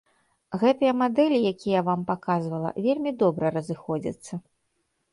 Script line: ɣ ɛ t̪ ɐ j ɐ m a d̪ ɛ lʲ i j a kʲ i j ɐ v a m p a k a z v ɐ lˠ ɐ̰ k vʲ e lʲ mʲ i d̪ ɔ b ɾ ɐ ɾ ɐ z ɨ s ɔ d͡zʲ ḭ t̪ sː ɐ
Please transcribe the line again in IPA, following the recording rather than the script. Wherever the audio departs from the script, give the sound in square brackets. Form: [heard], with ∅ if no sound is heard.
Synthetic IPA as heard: ɣ ɛ t̪ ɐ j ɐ m a d̪ ɛ lʲ i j a kʲ i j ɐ v a m p a k a z v ɐ lˠ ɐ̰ [∅] vʲ e lʲ mʲ i d̪ ɔ b ɾ ɐ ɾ ɐ z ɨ [x] ɔ d͡zʲ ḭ t̪ sː ɐ